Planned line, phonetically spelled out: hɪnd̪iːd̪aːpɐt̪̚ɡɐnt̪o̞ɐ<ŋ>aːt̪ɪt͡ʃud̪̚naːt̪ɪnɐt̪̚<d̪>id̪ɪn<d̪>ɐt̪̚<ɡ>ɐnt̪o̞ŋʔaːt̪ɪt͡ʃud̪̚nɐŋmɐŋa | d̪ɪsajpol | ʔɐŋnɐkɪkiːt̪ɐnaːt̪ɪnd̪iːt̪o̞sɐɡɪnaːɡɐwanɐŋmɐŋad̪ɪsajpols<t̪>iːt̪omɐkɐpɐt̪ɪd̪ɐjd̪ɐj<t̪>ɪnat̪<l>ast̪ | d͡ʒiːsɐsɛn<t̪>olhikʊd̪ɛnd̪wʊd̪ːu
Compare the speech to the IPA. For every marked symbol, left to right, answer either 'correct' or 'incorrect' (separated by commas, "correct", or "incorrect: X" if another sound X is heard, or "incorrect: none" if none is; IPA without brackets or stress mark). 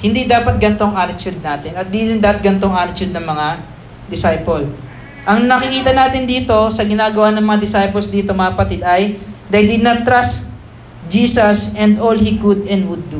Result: correct, correct, correct, correct, incorrect: d̪, incorrect: d̪, incorrect: ɾ, incorrect: d̪